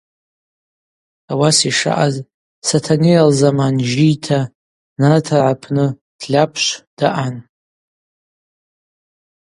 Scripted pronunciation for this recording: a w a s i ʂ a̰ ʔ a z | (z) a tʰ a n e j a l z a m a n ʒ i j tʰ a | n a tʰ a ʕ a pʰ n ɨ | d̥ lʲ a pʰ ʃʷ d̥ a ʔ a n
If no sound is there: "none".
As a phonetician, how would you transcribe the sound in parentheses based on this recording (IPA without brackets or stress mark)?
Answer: s